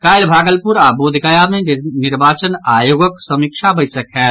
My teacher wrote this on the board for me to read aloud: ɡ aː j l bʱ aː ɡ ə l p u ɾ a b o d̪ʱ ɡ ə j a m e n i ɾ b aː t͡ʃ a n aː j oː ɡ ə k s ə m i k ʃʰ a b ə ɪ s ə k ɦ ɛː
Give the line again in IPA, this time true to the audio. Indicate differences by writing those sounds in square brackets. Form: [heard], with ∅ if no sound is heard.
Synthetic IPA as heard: [k] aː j l bʱ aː ɡ ə l p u ɾ a b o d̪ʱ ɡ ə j a m e n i ɾ b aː t͡ʃ [ə] n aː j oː ɡ ə k s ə m i k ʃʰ a b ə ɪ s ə k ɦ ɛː